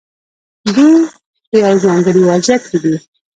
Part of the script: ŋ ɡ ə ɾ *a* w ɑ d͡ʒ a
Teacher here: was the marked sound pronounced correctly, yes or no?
no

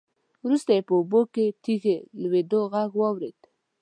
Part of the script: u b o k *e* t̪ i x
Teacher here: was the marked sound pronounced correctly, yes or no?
yes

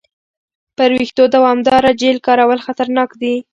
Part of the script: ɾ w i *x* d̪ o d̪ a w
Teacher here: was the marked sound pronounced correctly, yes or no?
yes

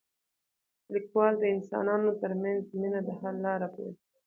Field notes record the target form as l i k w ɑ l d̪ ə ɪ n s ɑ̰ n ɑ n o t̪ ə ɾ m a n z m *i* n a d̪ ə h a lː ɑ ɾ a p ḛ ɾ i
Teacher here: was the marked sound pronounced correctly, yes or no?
yes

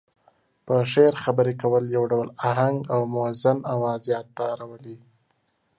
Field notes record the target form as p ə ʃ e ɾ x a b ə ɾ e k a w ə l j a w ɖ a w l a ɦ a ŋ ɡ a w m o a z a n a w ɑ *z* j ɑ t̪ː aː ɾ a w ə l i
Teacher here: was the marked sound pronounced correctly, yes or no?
yes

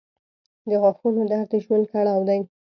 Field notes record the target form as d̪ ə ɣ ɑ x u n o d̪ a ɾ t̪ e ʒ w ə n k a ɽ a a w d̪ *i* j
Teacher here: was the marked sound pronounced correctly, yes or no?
no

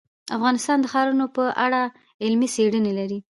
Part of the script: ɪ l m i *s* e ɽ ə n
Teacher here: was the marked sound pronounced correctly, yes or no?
yes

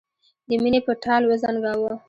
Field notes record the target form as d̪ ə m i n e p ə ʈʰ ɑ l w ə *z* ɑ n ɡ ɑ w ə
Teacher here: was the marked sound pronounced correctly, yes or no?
yes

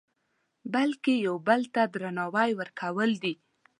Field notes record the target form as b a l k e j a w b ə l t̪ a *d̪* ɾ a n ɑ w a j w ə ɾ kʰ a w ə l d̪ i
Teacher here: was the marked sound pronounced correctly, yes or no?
yes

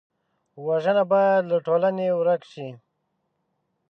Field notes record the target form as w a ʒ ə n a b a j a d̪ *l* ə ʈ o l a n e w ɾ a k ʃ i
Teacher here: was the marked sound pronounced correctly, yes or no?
yes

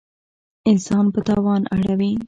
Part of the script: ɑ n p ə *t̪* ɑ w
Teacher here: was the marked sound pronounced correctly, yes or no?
yes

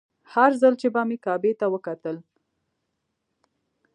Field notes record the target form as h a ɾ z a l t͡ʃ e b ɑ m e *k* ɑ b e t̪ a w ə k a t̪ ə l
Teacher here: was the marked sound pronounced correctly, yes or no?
yes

